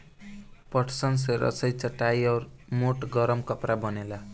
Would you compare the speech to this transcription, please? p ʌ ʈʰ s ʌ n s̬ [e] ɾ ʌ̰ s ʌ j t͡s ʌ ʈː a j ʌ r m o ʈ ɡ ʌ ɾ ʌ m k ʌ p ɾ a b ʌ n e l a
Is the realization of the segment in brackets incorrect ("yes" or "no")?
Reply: no